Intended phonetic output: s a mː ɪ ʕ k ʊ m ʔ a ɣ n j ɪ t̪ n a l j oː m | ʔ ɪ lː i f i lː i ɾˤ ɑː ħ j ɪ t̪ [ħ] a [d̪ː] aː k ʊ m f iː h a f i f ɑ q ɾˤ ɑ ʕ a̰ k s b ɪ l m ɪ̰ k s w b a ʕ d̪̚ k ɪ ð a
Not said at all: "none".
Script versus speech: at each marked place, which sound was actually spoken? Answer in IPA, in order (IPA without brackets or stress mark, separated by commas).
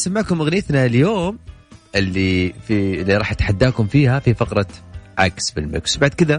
ħ, d̪ː